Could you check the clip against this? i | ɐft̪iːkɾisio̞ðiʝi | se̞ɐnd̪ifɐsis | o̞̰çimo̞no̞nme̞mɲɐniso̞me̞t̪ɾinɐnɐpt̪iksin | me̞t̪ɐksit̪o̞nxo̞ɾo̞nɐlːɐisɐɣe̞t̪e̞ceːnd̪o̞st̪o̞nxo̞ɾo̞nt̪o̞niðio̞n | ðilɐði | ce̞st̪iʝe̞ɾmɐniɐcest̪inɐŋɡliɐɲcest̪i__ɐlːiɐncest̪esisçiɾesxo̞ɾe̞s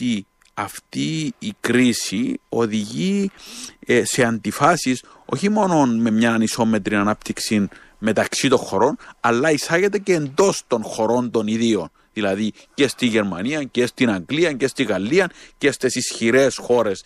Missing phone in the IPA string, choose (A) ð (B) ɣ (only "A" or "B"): B